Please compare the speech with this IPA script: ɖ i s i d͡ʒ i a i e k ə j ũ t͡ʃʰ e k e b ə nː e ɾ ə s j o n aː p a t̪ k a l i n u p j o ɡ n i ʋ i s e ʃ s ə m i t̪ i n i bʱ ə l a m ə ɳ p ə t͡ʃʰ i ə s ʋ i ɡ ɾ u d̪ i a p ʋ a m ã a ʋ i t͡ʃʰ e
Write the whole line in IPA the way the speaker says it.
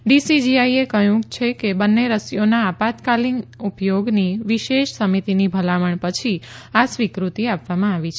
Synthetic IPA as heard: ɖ i s i d͡ʒ i a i e k ə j ũ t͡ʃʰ e k e b ə nː e ɾ ə s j o n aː p a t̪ k a l i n u p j o ɡ n i ʋ i ʃ e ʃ s ə m i t̪ i n i bʱ ə l a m ə ɳ p ə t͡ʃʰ i a s ʋ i k ɾ u t̪ i a p ʋ a m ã a ʋ i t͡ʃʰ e